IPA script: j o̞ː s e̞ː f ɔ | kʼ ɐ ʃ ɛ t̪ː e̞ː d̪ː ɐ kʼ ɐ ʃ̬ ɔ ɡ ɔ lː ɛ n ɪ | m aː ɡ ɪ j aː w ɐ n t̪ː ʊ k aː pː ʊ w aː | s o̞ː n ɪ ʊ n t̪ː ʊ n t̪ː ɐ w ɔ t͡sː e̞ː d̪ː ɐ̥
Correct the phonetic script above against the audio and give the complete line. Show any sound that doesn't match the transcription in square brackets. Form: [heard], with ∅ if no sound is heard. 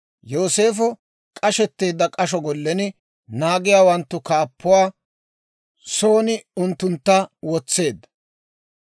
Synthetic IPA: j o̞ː s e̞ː f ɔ | kʼ ɐ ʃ ɛ t̪ː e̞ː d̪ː ɐ kʼ ɐ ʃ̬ ɔ ɡ ɔ lː ɛ n ɪ | [n] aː ɡ ɪ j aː w ɐ n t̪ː ʊ k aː pː ʊ w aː | s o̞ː n ɪ ʊ n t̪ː ʊ n t̪ː ɐ w ɔ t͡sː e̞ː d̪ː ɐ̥